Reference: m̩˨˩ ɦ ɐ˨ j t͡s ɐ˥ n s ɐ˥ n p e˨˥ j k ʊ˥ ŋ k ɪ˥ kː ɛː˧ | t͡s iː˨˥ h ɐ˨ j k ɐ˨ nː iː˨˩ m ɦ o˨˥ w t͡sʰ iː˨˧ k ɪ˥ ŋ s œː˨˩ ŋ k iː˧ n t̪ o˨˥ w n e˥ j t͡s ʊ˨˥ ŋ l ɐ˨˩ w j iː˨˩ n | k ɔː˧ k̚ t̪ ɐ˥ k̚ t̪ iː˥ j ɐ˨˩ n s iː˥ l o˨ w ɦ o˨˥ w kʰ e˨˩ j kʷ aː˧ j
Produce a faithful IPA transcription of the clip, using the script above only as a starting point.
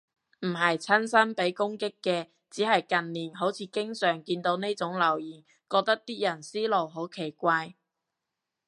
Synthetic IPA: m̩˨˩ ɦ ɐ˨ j t͡sʰ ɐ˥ n s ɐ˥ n p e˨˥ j k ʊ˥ ŋ k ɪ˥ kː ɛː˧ | t͡s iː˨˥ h ɐ˨ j k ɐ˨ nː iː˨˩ n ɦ o˨˥ w t͡sʰ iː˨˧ k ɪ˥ ŋ s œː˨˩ ŋ k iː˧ n t̪ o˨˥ w n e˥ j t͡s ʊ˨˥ ŋ l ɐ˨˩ w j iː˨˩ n | k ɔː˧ k̚ t̪ ɐ˥ k̚ t̪ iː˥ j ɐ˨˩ n s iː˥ l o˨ w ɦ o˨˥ w kʰ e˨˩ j kʷ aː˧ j